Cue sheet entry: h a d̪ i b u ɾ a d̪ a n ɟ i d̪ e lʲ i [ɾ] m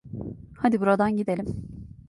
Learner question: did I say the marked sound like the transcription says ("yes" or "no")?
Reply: no